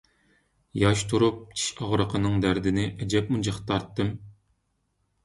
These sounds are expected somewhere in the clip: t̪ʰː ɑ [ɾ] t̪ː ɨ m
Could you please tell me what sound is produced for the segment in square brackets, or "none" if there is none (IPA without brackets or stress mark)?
ɾ